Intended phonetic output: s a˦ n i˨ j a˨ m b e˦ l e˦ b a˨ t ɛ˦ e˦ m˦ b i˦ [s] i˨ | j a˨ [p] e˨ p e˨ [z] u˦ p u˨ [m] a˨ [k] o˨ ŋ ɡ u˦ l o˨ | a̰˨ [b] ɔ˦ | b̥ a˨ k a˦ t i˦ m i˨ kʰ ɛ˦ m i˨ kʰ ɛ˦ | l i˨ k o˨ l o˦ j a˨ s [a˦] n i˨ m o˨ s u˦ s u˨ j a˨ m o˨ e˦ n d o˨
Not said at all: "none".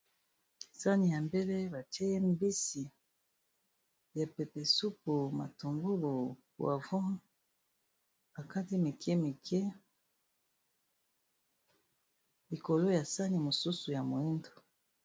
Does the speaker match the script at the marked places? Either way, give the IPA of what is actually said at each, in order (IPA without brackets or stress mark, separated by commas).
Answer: s, p, s, m, t, v, a˦